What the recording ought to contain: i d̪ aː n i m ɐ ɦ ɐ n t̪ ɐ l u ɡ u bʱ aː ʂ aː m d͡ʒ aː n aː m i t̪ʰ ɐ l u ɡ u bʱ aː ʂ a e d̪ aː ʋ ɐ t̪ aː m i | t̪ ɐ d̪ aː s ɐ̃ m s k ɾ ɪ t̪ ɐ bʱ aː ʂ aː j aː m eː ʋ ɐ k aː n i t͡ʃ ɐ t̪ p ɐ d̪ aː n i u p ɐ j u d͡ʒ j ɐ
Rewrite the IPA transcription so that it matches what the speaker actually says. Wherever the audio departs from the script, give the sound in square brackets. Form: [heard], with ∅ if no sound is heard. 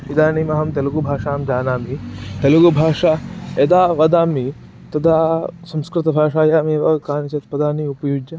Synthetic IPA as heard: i d̪ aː n i m ɐ ɦ ɐ [m] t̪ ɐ l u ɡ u bʱ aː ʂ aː m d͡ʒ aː n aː m i [t̪] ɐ l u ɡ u bʱ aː ʂ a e d̪ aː ʋ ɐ [d̪] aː m i | t̪ ɐ d̪ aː s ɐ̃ m s k ɾ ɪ t̪ ɐ bʱ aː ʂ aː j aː m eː ʋ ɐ k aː n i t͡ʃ ɐ t̪ p ɐ d̪ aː n i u p ɐ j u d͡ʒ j ɐ